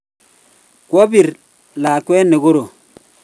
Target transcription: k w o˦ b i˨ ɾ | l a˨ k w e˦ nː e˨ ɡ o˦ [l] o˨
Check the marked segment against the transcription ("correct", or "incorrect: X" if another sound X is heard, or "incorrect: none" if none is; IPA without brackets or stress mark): incorrect: ɾ